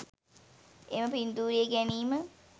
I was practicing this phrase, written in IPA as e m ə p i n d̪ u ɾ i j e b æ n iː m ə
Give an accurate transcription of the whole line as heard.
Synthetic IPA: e m ə p i n d̪ uː ɾ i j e ɡ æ n iː m ə